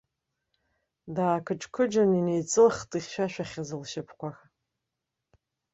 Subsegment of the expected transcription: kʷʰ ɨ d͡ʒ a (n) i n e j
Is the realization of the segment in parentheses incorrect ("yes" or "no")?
no